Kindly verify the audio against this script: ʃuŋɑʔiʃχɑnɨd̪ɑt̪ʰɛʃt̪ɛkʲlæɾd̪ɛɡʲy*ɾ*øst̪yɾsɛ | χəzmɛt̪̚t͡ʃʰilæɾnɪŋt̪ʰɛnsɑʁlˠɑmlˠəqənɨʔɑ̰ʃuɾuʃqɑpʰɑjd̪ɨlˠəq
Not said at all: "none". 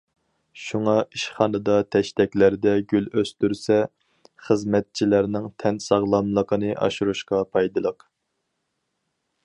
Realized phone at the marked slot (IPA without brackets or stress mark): l